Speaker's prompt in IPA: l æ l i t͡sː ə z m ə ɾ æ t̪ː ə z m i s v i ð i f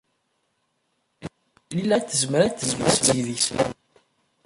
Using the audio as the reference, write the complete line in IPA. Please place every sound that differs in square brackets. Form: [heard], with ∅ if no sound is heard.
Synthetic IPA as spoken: l [i] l [æ] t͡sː ə z m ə ɾ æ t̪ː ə z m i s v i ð i [s]